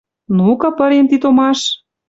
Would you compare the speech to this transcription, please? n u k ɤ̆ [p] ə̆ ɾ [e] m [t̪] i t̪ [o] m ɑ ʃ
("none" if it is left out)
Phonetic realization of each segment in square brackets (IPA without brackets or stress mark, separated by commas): p, e, t̪, o